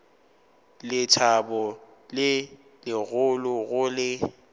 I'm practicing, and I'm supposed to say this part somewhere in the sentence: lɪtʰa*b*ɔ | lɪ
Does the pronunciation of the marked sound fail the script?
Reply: no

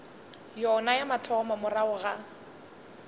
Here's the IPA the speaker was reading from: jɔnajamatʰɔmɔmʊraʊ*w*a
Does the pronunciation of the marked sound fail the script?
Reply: yes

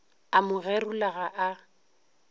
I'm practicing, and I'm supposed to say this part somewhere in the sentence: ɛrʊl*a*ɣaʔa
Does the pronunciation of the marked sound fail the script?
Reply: no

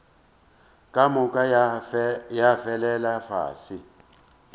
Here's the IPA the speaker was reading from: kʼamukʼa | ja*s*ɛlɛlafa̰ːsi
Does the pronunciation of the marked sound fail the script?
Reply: yes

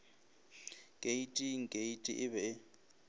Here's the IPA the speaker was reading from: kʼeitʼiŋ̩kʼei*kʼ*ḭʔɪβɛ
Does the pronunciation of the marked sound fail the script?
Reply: yes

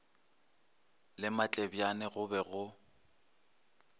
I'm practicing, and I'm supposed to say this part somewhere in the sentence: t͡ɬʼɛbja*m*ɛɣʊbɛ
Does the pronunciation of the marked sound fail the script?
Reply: yes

